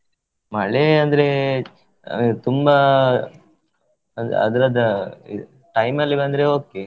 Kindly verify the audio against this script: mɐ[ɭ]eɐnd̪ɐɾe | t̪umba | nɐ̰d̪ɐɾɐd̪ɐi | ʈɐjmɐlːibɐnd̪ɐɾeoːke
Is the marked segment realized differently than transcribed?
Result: no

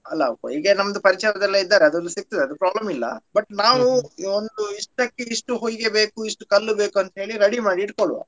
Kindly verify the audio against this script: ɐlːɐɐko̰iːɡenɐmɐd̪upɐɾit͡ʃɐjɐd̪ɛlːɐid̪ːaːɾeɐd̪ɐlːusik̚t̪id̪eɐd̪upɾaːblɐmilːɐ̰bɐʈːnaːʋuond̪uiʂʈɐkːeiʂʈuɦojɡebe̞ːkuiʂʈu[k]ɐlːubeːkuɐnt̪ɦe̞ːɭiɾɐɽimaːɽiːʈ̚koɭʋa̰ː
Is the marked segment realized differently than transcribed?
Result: no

